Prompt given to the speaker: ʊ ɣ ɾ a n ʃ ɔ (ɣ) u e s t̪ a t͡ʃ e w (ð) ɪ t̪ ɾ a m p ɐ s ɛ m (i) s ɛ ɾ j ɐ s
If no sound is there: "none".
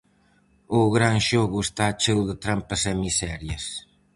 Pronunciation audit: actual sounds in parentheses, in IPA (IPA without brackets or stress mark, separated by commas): ɣ, ð, i